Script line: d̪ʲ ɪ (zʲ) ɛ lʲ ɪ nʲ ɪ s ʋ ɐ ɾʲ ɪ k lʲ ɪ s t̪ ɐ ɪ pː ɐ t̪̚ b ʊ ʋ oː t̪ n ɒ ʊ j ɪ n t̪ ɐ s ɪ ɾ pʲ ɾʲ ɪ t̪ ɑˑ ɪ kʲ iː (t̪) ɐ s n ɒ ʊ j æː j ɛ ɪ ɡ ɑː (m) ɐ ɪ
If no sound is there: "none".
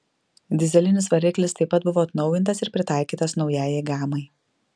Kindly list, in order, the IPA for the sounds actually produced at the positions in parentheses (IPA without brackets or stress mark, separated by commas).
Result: zʲ, t̪, m